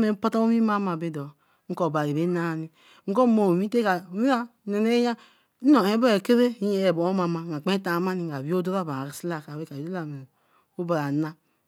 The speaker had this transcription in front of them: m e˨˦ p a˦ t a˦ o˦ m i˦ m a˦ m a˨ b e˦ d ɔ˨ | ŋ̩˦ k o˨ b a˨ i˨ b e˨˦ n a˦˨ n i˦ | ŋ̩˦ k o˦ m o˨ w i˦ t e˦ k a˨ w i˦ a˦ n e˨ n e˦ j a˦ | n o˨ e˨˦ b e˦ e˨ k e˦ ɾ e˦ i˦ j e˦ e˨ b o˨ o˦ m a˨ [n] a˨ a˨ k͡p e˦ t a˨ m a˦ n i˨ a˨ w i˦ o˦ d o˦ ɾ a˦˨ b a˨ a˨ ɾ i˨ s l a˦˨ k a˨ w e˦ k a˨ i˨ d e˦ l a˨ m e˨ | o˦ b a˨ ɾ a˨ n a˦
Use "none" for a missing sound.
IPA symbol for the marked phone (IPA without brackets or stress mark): m